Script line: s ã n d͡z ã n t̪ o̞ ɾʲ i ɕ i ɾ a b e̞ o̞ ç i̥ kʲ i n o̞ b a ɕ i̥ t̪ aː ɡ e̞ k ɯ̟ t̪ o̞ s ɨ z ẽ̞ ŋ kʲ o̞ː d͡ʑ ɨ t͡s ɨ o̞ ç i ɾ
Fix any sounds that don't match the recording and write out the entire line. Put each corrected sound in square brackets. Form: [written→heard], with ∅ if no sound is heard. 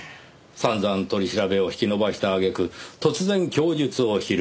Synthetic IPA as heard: s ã n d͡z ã n t̪ o̞ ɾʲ i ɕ i ɾ a b e̞ o̞ ç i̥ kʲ i n o̞ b a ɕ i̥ t̪ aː ɡ e̞ k ɯ̟ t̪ o̞ [s→t͡s] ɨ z ẽ̞ ŋ kʲ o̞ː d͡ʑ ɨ t͡s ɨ o̞ ç i ɾ